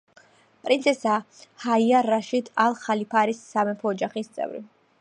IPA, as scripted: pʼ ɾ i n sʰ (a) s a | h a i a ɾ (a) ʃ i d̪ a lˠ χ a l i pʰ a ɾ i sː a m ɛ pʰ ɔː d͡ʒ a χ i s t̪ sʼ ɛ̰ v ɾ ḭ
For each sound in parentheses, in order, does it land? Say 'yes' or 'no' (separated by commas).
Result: no, yes